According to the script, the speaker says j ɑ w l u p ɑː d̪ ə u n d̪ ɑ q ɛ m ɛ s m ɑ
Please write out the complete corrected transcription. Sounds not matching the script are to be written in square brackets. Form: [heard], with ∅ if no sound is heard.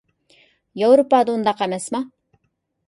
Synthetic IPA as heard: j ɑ w [ɾ] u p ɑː d̪ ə u n d̪ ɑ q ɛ m ɛ s m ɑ